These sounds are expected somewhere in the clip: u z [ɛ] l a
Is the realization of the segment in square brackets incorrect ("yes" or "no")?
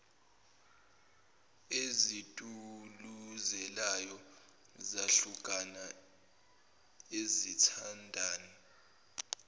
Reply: no